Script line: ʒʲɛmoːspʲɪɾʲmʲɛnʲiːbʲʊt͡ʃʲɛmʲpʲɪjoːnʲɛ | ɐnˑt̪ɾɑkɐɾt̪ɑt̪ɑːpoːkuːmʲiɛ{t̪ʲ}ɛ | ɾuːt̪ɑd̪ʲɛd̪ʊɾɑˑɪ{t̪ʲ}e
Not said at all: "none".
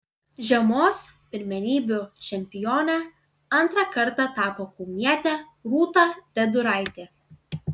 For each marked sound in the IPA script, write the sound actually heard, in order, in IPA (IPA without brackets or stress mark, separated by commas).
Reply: t̪ʲ, t̪ʲ